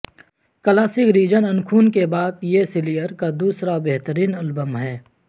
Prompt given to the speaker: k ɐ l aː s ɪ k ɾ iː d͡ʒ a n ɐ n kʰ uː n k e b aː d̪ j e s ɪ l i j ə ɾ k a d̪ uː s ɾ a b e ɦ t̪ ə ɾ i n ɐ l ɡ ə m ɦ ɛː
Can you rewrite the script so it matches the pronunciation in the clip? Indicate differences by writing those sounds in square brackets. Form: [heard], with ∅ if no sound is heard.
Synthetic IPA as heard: k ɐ l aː s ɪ k ɾ iː d͡ʒ [ə] n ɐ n kʰ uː n k e b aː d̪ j e s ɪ l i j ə ɾ k a d̪ uː s ɾ a b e ɦ t̪ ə ɾ [iː] n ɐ l [b] ə m ɦ ɛː